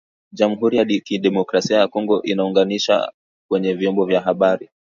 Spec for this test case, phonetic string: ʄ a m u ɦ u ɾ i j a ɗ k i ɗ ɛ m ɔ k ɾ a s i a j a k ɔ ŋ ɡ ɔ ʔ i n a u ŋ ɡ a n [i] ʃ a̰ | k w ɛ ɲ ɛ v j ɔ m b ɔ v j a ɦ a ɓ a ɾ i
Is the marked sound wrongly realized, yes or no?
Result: no